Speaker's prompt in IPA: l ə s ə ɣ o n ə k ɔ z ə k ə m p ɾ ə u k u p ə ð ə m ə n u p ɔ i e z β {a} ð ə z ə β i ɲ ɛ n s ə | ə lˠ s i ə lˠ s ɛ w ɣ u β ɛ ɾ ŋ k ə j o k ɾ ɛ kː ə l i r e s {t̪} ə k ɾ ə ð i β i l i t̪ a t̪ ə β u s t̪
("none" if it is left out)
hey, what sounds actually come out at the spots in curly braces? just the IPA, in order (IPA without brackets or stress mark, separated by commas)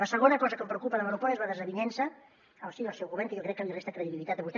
a, t̪